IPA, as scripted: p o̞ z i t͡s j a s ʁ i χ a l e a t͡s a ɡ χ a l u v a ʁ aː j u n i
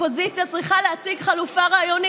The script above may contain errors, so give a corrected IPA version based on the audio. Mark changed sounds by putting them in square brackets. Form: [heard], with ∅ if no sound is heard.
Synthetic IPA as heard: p o̞ z i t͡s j a [t͡s] ʁ i χ a l e a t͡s [i] ɡ χ a l u [f] a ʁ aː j [o] n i